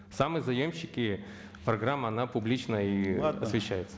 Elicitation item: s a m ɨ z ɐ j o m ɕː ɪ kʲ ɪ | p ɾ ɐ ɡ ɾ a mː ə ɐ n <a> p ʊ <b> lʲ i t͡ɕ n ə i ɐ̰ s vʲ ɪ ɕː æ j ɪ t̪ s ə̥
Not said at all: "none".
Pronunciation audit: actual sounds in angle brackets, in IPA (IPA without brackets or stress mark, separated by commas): a, b